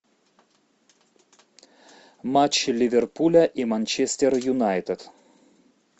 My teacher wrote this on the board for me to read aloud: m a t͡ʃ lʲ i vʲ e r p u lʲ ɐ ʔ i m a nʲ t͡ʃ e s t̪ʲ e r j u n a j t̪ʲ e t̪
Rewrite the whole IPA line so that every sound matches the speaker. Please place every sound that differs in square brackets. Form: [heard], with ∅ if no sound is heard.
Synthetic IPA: m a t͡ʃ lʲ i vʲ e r p u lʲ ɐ ʔ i m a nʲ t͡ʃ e s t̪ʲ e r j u n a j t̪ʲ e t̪